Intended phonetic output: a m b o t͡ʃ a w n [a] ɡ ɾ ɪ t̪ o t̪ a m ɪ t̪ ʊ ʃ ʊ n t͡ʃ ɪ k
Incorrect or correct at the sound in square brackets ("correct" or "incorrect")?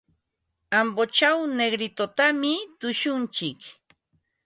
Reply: incorrect